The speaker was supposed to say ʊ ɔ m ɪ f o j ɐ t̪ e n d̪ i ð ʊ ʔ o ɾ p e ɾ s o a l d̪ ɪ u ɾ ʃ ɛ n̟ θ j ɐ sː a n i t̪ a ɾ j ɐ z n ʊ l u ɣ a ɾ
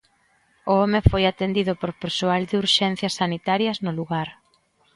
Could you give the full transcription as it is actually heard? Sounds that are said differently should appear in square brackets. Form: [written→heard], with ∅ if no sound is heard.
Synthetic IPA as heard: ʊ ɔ m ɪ f o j [ɐ→a] t̪ e n d̪ i ð ʊ [ʔ→p] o ɾ p e ɾ s o a l d̪ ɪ u ɾ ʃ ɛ n̟ θ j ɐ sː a n i t̪ a ɾ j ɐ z n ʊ l u ɣ a ɾ